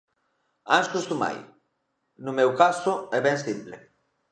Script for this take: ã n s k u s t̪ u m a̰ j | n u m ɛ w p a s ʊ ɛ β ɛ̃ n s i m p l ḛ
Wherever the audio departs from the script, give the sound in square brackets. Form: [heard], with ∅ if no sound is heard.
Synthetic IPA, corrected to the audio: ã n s k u s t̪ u m a̰ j | n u m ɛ w [k] a s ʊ ɛ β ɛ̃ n s i m p l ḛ